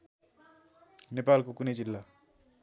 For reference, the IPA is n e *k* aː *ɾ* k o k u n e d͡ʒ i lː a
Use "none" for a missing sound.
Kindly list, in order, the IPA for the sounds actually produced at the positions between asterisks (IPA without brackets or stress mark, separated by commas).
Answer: p, l